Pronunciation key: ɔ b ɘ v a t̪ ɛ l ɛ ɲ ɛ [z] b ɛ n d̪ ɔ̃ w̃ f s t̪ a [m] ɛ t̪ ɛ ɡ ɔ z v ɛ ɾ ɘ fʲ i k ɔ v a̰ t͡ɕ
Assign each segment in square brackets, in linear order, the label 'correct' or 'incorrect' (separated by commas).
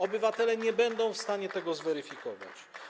incorrect, incorrect